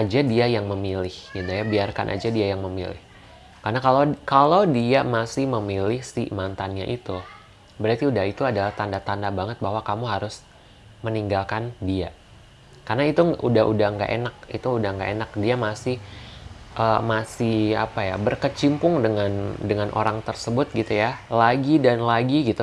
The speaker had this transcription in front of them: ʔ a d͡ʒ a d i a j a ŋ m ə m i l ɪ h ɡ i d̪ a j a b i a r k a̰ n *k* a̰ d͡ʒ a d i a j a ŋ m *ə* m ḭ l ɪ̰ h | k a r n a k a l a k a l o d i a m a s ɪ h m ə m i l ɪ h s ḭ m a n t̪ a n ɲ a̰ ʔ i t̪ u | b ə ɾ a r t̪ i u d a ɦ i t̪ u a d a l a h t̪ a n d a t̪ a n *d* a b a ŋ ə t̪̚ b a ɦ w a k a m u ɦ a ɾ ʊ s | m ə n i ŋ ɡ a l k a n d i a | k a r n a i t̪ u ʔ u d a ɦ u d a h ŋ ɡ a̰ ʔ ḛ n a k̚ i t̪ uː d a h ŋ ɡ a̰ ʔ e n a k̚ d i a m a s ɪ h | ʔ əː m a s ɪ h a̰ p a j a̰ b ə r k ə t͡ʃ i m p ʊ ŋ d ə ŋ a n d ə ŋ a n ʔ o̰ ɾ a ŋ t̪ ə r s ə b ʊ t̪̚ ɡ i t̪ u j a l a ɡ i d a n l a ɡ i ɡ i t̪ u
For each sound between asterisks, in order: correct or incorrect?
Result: incorrect, correct, correct

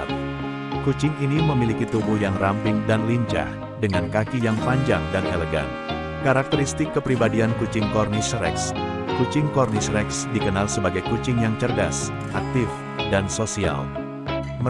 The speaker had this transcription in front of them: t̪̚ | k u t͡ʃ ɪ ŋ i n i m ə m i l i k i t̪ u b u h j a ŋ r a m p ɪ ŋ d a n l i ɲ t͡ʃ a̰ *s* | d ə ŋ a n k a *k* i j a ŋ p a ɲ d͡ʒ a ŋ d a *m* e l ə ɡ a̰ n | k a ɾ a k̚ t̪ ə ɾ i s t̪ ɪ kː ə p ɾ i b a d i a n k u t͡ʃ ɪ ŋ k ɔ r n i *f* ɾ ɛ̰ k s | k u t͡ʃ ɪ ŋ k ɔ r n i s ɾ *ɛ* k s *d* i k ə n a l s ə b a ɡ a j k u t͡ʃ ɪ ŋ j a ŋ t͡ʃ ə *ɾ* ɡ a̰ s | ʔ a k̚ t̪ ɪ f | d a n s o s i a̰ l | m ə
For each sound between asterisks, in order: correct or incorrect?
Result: incorrect, correct, incorrect, incorrect, correct, correct, incorrect

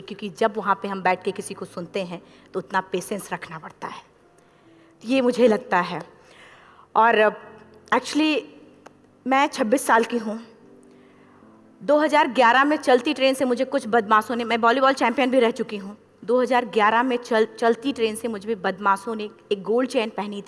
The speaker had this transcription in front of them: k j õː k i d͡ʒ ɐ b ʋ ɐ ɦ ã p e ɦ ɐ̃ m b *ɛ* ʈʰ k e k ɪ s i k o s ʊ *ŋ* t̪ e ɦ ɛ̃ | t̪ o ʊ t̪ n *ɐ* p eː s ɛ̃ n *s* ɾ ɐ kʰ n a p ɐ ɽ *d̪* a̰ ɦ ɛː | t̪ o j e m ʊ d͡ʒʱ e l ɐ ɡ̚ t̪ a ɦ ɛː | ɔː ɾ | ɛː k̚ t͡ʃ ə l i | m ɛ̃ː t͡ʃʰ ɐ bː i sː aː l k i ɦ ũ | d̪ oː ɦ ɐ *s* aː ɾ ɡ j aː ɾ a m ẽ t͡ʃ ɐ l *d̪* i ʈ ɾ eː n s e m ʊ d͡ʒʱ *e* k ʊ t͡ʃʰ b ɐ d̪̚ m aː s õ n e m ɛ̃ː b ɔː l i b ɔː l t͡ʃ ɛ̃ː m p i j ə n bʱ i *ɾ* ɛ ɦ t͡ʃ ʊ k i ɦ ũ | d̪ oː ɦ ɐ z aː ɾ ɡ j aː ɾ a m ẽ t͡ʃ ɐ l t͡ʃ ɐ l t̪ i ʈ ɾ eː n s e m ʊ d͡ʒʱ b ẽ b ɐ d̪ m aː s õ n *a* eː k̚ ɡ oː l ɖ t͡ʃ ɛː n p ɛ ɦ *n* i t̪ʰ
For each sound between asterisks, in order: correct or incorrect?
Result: incorrect, incorrect, incorrect, correct, incorrect, incorrect, incorrect, correct, correct, incorrect, correct

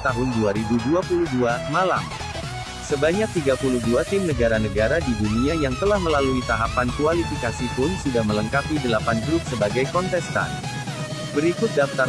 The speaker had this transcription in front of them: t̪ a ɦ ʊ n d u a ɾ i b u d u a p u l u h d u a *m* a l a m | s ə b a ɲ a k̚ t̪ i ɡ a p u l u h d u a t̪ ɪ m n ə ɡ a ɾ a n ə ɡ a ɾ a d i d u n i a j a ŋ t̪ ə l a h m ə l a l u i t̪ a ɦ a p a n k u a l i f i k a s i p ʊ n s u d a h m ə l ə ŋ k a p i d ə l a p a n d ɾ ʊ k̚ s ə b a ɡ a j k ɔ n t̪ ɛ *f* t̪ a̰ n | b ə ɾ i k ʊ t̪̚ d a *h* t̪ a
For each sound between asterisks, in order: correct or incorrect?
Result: correct, incorrect, incorrect

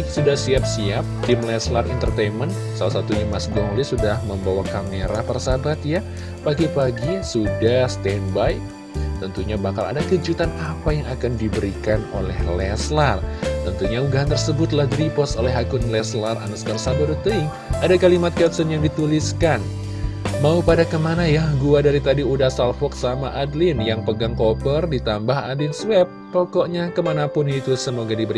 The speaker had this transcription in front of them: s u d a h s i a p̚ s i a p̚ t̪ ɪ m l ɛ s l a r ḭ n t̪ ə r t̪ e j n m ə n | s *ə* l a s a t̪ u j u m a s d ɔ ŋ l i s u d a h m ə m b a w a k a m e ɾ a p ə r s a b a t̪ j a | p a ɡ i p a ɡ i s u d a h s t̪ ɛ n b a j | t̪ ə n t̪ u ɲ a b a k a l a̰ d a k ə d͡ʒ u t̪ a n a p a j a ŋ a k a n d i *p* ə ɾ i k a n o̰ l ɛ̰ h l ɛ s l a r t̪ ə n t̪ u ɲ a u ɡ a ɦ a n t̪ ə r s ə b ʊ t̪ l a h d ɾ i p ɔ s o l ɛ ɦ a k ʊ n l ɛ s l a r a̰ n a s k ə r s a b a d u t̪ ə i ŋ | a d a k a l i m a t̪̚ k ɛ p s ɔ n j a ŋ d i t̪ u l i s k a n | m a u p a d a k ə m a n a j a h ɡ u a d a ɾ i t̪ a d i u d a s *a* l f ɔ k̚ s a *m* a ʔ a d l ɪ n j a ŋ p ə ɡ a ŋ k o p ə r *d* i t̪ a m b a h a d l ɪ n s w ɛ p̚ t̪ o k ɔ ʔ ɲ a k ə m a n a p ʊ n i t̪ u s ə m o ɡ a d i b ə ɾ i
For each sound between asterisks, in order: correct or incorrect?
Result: incorrect, incorrect, correct, correct, correct

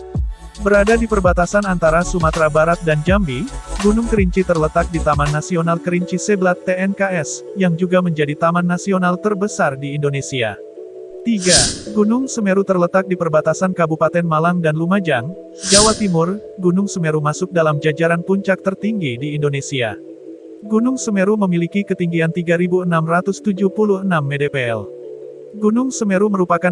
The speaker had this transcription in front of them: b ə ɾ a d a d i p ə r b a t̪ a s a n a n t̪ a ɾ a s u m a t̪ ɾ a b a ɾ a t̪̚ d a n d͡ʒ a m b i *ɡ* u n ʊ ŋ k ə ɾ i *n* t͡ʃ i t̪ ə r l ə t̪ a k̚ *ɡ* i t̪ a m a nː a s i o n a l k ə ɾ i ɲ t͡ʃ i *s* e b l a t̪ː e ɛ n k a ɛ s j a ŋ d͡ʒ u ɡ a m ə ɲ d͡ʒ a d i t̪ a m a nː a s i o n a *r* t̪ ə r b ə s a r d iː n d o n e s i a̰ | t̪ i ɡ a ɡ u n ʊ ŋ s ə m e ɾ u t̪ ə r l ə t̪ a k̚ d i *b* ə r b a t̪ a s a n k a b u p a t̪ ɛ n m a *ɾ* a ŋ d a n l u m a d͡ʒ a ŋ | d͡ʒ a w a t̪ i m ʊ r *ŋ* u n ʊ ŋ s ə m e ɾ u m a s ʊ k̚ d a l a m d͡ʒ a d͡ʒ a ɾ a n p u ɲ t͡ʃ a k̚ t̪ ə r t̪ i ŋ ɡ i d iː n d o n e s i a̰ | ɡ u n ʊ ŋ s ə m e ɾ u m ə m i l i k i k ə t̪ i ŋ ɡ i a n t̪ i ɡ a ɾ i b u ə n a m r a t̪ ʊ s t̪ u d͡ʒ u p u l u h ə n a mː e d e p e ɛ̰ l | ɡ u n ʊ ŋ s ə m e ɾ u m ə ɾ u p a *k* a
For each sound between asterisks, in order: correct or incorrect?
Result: correct, incorrect, incorrect, correct, incorrect, incorrect, incorrect, incorrect, correct

